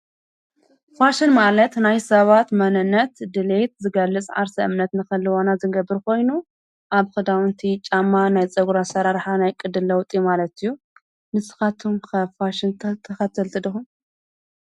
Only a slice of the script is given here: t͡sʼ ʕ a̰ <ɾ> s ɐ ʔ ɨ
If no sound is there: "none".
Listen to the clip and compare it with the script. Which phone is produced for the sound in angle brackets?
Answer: ɾ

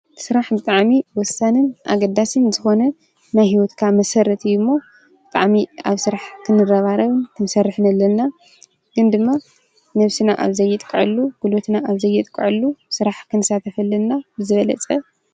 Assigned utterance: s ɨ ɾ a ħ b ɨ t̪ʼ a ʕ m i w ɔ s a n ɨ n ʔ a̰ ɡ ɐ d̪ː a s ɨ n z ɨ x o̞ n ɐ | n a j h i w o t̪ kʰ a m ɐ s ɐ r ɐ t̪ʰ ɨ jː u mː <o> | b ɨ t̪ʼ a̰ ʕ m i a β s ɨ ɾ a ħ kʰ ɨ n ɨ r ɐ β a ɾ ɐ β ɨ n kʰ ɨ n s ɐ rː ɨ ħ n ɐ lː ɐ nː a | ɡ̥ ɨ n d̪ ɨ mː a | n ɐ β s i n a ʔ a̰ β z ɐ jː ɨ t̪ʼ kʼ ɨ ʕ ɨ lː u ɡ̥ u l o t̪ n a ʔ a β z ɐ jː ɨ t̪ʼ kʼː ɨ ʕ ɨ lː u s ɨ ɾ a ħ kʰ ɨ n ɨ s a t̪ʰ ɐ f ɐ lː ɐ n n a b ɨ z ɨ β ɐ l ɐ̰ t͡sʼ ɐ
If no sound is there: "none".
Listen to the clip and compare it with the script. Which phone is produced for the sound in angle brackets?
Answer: o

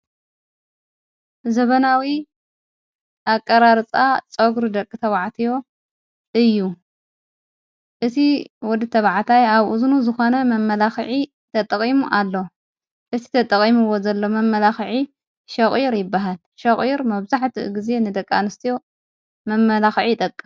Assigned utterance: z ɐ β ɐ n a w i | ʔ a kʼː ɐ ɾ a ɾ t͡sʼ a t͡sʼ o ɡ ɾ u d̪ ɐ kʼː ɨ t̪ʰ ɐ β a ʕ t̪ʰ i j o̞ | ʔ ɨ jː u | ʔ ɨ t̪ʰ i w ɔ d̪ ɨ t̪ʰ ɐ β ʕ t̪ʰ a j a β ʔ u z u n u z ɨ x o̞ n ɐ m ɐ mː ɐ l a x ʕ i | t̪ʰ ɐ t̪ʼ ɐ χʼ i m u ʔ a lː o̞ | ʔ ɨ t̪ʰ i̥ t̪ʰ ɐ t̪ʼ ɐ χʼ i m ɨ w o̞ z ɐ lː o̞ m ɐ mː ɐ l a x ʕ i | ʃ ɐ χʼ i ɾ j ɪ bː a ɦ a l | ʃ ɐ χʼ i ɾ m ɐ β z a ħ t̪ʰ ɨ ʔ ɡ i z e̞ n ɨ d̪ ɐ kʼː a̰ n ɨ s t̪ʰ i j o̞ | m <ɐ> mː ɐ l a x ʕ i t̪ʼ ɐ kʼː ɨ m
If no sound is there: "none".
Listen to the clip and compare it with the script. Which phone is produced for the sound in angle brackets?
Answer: ɐ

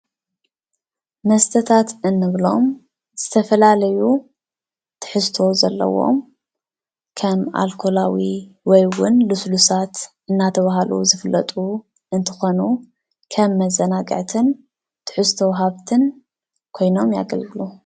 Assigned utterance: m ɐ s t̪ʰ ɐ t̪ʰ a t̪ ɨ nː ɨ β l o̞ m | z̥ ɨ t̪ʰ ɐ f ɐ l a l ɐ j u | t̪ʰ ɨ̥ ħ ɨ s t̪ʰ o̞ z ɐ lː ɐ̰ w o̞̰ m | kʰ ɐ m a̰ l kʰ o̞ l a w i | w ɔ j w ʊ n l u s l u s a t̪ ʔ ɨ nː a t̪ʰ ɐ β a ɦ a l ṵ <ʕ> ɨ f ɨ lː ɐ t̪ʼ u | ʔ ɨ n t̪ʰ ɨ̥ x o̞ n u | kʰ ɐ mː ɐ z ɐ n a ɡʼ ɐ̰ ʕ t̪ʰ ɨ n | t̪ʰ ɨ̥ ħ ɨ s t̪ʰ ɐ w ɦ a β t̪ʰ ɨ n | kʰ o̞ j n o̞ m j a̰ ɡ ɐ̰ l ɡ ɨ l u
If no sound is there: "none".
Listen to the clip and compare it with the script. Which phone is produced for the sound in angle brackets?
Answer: z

